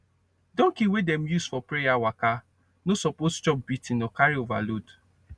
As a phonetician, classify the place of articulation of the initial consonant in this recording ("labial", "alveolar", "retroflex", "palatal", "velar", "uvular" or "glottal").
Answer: alveolar